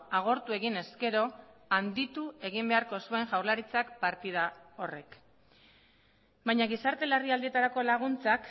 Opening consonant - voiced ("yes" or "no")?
yes